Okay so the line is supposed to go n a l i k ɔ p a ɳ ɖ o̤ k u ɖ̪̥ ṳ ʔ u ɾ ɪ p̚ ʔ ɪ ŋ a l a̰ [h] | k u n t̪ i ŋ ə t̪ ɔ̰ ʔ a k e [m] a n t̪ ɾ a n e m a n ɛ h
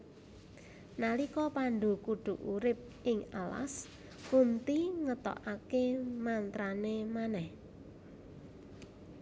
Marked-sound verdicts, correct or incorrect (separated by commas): incorrect, correct